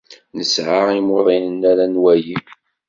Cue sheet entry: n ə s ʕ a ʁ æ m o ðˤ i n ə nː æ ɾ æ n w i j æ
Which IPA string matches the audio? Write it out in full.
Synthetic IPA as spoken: n ə s ʕ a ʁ i m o ðˤ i n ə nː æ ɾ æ n w æ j i